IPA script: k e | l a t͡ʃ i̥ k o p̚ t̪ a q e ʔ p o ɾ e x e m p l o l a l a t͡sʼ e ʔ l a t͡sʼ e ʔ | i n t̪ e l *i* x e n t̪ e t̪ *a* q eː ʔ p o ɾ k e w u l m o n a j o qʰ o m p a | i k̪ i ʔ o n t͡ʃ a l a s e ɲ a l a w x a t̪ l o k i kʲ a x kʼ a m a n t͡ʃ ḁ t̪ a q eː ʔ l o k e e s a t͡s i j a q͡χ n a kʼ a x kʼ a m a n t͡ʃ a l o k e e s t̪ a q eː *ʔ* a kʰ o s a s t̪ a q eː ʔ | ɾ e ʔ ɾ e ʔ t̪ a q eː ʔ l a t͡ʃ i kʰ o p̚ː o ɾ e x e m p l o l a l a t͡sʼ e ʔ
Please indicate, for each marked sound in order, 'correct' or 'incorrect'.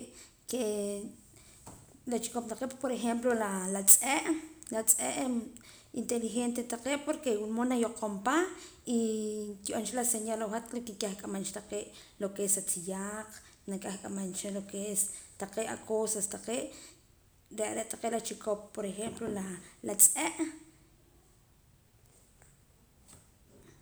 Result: correct, correct, correct

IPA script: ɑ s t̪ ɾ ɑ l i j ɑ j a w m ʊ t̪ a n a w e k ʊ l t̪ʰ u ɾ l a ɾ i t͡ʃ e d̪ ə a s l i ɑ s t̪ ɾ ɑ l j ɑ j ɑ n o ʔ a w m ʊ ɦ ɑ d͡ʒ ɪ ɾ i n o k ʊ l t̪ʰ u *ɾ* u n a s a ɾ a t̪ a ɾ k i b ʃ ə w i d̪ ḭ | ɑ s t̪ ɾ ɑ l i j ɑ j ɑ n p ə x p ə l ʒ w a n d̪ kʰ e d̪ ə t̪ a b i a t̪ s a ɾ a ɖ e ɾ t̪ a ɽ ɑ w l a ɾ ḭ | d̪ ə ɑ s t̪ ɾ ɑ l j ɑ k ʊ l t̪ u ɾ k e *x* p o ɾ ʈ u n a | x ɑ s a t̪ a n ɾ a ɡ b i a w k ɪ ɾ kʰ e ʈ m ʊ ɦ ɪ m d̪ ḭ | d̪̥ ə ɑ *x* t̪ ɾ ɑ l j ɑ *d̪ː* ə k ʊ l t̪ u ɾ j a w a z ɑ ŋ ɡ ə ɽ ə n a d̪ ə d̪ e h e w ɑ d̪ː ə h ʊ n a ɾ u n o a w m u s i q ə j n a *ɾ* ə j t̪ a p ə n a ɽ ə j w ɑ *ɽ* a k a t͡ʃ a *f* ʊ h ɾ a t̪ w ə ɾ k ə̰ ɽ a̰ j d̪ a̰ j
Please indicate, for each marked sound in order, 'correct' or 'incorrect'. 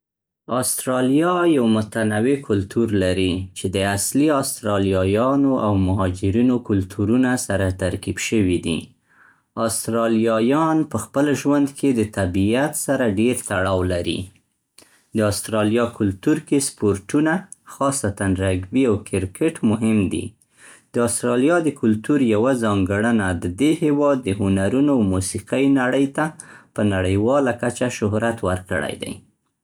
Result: correct, incorrect: s, incorrect: s, incorrect: d̪, incorrect: ɽ, incorrect: l, incorrect: ʃ

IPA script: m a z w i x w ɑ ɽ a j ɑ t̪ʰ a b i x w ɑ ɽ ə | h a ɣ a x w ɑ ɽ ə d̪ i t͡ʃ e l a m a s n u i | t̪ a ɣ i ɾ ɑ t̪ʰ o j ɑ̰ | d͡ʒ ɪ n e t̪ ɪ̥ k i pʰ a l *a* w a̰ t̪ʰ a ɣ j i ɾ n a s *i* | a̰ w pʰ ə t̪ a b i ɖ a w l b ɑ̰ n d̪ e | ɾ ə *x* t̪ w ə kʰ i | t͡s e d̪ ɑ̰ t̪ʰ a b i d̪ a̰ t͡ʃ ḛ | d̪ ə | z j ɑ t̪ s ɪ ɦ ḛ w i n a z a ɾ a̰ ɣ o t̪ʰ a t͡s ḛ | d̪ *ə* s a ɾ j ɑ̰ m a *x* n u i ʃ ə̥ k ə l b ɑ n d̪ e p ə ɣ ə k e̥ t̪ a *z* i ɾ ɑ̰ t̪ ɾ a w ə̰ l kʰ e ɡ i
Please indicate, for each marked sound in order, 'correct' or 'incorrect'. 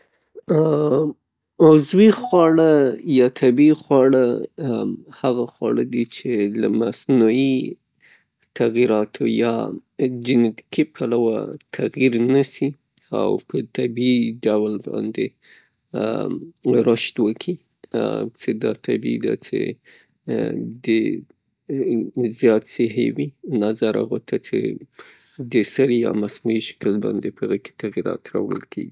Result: correct, correct, incorrect: ʃ, correct, incorrect: s, incorrect: ɣ

